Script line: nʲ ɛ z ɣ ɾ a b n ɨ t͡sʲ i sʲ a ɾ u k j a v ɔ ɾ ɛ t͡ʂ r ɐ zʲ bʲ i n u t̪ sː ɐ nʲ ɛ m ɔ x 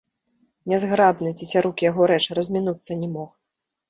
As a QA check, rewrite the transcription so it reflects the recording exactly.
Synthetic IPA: nʲ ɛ z ɣ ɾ a b n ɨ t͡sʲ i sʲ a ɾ u k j a ɣ ɔ ɾ ɛ t͡ʂ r ɐ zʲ mʲ i n u t̪ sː ɐ nʲ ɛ m ɔ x